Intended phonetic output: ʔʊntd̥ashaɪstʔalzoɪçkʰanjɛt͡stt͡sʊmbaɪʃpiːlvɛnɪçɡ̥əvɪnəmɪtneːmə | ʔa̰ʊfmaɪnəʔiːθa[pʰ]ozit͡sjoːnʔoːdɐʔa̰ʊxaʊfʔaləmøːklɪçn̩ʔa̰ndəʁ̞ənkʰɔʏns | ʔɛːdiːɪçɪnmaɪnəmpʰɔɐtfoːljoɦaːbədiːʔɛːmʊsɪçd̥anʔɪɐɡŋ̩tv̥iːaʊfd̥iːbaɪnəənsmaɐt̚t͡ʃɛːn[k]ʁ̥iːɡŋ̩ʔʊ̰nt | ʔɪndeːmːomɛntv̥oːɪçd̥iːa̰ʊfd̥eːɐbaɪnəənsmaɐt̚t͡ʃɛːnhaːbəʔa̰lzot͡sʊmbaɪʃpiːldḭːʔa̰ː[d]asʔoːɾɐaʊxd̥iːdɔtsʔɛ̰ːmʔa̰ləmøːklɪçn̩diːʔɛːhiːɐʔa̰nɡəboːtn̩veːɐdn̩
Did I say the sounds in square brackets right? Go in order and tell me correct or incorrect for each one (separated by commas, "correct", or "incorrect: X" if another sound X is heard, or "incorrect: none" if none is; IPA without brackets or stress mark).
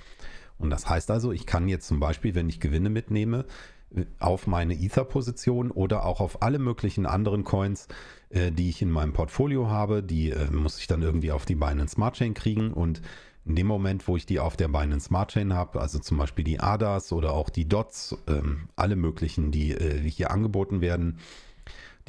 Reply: correct, correct, correct